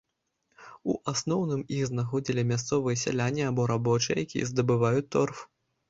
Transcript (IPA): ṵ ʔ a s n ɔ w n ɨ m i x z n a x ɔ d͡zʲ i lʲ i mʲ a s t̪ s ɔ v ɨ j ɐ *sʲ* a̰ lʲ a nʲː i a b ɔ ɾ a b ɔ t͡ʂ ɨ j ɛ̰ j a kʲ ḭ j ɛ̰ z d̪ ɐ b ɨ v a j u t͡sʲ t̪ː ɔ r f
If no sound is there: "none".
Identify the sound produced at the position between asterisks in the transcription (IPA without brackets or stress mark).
sʲ